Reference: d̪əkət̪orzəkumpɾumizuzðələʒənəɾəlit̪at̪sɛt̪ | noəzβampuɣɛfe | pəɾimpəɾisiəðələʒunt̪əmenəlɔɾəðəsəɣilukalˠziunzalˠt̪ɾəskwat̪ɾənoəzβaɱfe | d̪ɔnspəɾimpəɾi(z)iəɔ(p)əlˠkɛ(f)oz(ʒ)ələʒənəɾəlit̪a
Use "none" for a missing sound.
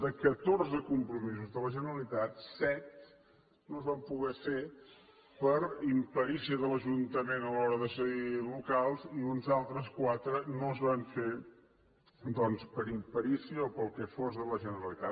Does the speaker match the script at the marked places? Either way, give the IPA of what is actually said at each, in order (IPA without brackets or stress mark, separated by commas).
s, p, f, ð